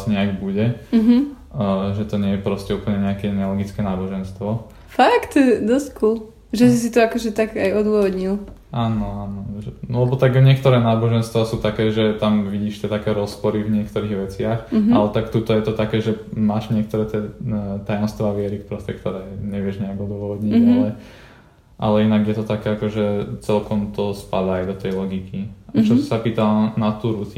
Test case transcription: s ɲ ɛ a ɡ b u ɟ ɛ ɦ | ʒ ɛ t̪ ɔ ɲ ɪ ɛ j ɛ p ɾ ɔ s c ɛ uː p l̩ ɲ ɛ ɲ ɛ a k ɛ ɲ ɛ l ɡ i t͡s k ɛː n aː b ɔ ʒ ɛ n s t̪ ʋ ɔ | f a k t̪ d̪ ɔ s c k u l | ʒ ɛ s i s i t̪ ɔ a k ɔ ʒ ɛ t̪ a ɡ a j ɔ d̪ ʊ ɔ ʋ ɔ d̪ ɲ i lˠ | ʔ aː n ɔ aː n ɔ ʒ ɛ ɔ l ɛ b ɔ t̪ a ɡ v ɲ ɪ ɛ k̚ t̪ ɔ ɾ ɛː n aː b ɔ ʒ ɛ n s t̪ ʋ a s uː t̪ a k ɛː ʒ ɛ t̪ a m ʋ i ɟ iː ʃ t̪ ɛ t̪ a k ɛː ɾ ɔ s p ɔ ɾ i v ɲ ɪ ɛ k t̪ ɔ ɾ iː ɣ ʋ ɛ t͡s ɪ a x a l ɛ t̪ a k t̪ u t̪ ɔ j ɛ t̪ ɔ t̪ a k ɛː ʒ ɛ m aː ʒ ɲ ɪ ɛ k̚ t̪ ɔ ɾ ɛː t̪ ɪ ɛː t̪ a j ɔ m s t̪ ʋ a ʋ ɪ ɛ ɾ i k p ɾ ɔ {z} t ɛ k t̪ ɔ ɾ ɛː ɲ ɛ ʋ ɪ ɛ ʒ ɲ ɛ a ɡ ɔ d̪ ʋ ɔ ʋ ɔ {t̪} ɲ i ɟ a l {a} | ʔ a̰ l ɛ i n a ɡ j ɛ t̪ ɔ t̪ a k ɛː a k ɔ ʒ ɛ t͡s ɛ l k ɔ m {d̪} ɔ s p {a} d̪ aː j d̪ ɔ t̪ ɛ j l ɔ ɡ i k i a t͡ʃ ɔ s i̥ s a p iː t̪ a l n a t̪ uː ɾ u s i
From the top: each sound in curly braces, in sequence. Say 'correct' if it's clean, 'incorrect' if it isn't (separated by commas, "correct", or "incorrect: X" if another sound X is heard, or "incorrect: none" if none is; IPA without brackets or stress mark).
incorrect: s, incorrect: d̪, incorrect: ɛ, incorrect: t̪, correct